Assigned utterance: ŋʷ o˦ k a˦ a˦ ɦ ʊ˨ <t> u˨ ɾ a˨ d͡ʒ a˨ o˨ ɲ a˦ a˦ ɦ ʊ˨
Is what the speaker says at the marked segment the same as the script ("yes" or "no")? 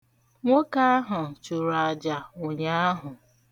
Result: no